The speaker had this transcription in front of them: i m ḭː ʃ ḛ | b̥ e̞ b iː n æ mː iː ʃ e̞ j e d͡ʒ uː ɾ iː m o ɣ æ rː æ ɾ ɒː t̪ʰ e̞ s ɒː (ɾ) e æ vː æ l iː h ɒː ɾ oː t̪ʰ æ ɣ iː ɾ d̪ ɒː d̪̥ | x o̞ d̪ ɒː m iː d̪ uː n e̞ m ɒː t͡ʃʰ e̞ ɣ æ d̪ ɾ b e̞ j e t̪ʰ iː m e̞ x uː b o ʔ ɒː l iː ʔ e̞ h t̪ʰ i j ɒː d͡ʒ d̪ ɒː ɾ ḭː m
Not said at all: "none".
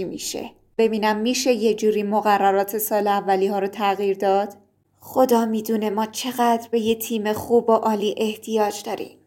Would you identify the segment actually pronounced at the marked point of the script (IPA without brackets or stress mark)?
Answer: l